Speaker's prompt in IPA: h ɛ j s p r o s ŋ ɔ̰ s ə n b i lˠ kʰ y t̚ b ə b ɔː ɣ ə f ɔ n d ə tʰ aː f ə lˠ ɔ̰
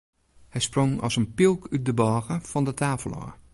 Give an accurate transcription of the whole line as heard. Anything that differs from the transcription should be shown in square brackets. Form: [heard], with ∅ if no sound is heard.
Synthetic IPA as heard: h ɛ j s p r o [∅] ŋ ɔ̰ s ə n [p] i lˠ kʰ y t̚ [d] ə b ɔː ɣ ə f ɔ n d ə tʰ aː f ə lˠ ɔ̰